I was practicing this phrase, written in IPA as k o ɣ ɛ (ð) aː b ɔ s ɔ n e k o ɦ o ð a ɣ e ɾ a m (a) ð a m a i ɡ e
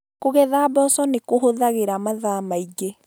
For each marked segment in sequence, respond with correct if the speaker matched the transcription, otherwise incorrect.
correct, correct

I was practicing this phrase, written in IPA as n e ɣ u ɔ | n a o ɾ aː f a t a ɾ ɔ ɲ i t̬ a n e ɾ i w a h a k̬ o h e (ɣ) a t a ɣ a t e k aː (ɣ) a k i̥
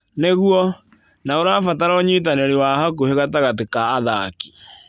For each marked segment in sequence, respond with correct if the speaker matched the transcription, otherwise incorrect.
correct, incorrect: ð

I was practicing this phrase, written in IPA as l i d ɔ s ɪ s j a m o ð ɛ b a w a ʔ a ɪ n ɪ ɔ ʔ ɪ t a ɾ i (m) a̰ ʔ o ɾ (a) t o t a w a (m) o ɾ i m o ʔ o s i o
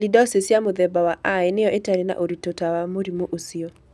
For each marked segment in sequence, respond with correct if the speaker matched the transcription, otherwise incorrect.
incorrect: n, incorrect: i, correct

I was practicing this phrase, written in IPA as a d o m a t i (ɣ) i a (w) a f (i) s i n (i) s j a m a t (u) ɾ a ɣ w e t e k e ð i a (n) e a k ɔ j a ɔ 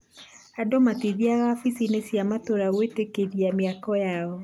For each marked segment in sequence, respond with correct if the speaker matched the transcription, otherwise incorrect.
incorrect: ð, incorrect: ɣ, correct, incorrect: e, incorrect: o, incorrect: m

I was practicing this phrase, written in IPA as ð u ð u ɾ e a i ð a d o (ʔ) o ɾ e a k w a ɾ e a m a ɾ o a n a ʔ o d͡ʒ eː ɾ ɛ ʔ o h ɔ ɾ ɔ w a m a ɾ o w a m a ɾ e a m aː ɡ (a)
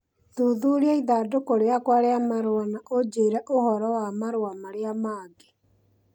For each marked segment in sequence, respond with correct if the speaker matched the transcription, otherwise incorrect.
incorrect: k, incorrect: e

